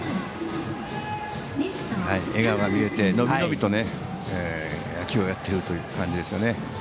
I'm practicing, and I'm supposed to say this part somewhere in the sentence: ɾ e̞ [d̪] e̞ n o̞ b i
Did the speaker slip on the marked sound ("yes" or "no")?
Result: yes